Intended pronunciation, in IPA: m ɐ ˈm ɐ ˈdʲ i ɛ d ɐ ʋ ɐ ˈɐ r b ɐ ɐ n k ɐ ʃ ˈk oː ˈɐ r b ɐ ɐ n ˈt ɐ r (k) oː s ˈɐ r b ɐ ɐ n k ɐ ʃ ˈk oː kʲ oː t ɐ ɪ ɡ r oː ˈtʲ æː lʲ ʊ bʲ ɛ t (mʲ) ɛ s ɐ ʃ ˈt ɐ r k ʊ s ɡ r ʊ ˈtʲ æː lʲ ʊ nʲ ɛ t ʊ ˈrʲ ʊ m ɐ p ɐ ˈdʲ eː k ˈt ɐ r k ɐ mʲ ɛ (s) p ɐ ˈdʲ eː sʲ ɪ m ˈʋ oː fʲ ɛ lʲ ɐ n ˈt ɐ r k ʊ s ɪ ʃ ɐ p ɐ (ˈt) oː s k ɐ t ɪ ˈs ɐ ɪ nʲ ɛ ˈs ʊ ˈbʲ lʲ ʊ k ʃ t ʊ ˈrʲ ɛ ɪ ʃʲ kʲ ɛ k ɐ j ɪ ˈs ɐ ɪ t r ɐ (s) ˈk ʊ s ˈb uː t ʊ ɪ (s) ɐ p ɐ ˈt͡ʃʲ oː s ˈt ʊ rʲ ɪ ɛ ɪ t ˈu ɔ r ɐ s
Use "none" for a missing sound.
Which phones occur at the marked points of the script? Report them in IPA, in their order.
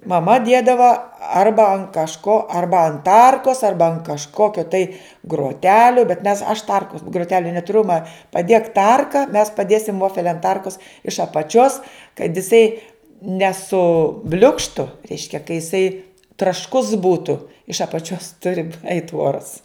k, mʲ, s, t͡ʃʲ, ʃ, ʃ

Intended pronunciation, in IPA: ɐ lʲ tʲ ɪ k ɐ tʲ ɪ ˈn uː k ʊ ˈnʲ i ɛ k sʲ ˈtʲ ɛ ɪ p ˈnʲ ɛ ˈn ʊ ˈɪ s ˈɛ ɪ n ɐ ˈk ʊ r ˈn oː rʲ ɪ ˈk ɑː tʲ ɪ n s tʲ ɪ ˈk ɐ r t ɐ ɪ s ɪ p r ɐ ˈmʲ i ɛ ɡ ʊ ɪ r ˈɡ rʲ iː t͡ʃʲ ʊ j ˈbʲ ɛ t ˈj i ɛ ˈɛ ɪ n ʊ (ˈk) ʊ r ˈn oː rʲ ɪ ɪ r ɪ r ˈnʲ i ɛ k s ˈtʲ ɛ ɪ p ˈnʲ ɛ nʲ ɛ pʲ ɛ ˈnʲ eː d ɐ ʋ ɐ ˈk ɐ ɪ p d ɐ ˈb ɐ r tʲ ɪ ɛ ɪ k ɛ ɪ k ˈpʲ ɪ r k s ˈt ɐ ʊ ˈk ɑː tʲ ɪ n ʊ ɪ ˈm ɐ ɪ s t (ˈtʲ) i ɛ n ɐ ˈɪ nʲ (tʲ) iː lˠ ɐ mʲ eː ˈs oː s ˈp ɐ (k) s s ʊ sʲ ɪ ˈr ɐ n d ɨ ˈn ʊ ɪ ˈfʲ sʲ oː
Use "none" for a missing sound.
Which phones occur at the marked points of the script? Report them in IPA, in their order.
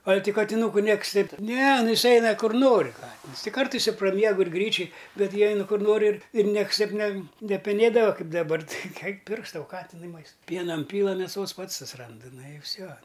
k, pʲ, pʲ, t

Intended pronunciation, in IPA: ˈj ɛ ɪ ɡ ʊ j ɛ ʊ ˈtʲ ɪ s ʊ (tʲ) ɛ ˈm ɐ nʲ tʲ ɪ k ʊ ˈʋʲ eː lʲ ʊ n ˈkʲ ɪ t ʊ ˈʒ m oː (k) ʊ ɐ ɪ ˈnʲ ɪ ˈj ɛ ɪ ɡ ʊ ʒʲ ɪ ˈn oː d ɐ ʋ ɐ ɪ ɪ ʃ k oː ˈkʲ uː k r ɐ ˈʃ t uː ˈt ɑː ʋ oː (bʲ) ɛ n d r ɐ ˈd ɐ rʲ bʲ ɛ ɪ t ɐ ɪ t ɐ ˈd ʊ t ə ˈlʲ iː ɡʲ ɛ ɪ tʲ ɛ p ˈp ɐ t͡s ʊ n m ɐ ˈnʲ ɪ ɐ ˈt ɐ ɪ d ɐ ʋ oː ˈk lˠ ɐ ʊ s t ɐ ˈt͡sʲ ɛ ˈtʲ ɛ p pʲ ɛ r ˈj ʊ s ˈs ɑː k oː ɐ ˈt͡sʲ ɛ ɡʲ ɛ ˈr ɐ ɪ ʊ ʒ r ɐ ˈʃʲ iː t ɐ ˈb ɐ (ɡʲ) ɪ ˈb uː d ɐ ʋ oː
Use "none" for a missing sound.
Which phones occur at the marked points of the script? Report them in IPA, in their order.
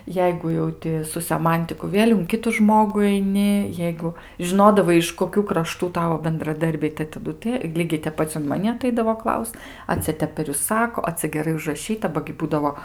sʲ, ɡ, bʲ, ɡʲ

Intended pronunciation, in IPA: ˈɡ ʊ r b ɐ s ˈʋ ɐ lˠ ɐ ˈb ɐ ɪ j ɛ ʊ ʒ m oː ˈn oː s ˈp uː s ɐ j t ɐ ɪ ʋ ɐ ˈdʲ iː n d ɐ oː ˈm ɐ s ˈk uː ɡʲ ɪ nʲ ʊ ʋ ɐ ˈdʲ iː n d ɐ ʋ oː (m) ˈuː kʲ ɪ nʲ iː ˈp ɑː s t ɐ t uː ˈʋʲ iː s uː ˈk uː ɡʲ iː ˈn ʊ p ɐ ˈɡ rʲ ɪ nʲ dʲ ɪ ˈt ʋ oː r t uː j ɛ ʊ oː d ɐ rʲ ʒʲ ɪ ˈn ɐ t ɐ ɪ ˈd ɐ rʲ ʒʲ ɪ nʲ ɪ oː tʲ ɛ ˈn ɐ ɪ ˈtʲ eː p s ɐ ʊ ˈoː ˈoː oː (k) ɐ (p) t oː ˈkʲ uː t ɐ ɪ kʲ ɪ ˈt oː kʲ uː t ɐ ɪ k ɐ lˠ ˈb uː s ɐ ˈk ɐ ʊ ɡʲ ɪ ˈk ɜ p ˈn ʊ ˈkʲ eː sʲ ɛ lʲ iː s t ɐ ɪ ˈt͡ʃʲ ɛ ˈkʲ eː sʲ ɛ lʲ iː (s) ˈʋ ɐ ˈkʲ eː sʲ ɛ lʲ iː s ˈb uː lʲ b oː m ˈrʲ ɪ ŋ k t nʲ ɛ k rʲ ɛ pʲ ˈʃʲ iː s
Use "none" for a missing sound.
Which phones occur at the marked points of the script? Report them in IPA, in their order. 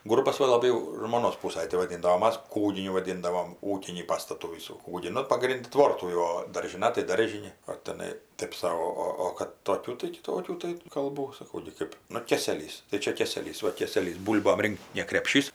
m, k, t, s

